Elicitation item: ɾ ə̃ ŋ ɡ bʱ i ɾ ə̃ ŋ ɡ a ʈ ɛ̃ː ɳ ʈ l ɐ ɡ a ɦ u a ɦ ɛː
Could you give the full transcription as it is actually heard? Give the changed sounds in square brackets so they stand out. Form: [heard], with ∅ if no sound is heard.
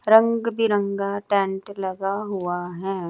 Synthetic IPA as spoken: ɾ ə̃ ŋ ɡ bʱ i ɾ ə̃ ŋ ɡ a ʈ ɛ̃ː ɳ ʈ l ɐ ɡ a ɦ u a ɦ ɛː